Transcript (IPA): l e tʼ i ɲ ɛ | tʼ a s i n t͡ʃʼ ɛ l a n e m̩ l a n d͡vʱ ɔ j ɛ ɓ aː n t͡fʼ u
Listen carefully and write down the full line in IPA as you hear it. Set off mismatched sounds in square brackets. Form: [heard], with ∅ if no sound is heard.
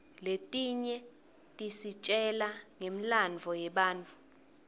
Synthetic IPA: l e tʼ i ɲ ɛ | tʼ [i] s i [∅] t͡ʃʼ ɛ l a [ŋ] e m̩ l a n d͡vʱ ɔ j ɛ ɓ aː n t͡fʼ u